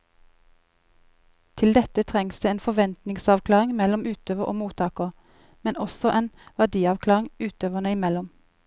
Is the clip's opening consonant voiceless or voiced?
voiceless